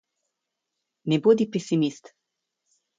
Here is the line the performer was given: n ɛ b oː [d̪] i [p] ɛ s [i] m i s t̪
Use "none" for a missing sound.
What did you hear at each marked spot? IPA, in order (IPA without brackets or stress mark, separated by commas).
d̪, p, i